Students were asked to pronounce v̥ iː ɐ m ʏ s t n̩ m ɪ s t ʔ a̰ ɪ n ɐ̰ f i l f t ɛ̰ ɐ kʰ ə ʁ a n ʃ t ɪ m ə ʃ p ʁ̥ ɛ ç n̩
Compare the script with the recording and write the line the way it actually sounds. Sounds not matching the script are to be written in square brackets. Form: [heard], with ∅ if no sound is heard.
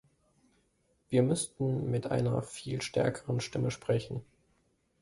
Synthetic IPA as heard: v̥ iː ɐ m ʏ s t n̩ m ɪ [∅] t ʔ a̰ ɪ n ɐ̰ f [iː] l [ʃ] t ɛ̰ ɐ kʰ ə ʁ [ə] n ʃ t ɪ m ə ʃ p ʁ̥ ɛ ç n̩